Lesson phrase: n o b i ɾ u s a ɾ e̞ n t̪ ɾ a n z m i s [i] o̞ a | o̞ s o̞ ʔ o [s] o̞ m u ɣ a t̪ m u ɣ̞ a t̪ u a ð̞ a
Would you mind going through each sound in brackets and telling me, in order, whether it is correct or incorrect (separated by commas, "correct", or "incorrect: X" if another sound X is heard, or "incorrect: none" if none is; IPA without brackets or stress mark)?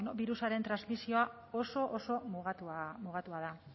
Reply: correct, correct